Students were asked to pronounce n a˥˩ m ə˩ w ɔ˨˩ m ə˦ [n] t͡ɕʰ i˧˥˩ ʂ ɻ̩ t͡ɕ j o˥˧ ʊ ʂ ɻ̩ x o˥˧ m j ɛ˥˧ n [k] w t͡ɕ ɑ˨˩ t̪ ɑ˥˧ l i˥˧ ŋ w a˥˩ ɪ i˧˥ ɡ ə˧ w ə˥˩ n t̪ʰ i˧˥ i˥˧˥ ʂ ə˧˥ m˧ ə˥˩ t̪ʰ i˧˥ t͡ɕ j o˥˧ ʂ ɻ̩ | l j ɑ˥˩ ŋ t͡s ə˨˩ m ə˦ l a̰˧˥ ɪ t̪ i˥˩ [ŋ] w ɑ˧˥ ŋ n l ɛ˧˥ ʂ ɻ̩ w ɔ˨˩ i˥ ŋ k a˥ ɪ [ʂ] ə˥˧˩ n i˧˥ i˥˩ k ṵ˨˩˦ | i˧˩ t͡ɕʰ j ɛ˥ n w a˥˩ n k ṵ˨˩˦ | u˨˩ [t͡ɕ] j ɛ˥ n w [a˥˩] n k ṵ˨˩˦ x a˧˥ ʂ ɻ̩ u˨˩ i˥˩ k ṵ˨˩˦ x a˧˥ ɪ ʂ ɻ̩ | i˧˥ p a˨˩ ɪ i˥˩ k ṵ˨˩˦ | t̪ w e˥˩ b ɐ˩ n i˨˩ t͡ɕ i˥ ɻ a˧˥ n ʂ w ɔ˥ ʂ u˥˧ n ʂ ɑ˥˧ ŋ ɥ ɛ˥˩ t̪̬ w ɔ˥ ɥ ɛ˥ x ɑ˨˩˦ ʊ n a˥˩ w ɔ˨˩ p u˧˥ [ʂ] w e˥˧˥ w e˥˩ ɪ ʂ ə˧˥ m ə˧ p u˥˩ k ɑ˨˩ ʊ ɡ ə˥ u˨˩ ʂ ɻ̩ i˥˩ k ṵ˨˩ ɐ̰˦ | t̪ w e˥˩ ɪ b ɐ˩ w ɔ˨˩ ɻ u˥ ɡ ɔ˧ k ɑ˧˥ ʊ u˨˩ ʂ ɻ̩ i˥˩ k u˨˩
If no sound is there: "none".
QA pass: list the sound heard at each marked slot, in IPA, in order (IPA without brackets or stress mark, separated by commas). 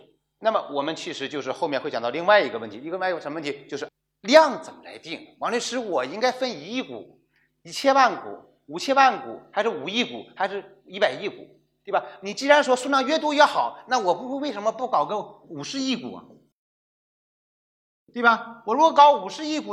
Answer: n, x, ŋ, f, t͡ɕʰ, a˥˩, x